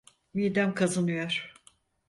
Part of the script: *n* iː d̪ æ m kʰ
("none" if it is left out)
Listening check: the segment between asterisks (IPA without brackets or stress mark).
m